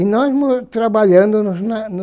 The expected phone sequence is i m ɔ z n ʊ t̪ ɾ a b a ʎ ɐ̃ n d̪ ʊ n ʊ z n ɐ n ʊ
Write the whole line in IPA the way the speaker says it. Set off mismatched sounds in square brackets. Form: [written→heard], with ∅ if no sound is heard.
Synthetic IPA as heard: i [m→n] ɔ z [n→m] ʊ t̪ ɾ a b a ʎ ɐ̃ n d̪ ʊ n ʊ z n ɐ n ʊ